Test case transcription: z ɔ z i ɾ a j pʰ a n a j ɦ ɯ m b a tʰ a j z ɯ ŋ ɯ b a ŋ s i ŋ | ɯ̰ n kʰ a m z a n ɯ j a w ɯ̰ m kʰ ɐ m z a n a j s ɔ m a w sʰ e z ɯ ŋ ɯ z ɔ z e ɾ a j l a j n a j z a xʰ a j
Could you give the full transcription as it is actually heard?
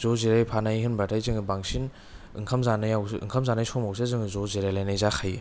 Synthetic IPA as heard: z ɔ z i ɾ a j pʰ a n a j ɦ ɯ n b a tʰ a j z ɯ ŋ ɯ b a ŋ s i n | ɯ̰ ŋ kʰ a m z a n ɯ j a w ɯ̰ ŋ kʰ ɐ m z a n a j s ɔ m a w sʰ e z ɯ ŋ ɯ z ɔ z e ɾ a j l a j n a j z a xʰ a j